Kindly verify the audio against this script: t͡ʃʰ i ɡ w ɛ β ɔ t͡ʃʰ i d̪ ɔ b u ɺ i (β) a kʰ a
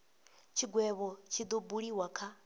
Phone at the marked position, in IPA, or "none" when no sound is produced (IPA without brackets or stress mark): w